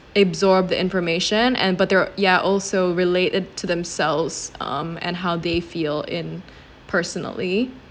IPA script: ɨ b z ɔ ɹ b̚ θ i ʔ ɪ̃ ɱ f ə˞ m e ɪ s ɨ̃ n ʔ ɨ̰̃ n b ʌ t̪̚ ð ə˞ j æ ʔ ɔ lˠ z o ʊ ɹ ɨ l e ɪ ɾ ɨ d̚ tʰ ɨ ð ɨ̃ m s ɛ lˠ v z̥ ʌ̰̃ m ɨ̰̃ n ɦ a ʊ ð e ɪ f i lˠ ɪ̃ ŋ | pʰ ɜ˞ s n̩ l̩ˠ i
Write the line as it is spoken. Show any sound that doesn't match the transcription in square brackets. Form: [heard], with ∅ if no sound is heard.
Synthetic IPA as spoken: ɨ b z ɔ ɹ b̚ [ð] i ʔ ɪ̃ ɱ f ə˞ m e ɪ [ʃ] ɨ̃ n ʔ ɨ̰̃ n b ʌ t̪̚ ð ə˞ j æ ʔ ɔ lˠ [s] o ʊ ɹ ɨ l e ɪ ɾ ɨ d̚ tʰ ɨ ð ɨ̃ m s ɛ lˠ v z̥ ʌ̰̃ m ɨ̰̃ n ɦ a ʊ ð e ɪ f i lˠ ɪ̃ [n] | pʰ ɜ˞ s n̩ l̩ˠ i